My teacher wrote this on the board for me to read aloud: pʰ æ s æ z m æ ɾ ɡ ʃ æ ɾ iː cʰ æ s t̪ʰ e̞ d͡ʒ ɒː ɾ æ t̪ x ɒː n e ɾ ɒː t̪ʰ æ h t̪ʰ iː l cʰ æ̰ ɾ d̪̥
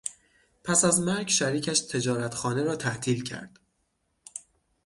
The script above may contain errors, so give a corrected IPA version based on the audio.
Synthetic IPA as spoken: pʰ æ s æ z m æ ɾ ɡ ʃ æ ɾ iː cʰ æ ʃ t̪ʰ e̞ d͡ʒ ɒː ɾ æ t̪ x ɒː n e ɾ ɒː t̪ʰ æ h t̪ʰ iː l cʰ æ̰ ɾ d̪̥